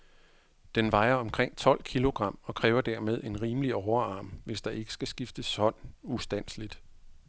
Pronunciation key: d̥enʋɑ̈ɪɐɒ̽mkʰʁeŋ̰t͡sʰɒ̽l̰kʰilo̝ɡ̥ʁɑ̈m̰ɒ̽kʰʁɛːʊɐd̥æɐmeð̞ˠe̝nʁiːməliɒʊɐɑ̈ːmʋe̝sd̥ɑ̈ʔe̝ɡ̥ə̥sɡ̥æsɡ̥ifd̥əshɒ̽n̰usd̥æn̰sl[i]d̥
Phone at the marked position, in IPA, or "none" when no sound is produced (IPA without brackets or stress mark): i